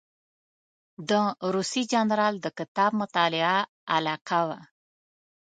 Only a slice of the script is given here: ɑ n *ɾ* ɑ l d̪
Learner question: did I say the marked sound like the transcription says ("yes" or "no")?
yes